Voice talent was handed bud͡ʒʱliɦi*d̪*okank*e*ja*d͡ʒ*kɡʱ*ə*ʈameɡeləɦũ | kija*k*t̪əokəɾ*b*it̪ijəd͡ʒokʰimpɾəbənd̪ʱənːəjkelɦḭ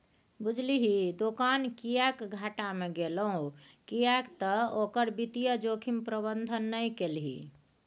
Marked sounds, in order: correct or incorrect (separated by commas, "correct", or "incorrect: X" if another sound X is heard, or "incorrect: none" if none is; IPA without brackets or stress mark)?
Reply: correct, incorrect: i, incorrect: none, incorrect: a, correct, correct